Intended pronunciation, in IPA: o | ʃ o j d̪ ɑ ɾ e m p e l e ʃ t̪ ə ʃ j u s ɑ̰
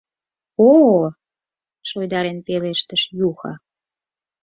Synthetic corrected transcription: o | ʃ o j d̪ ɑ ɾ e n p e l e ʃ t̪ ə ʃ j u x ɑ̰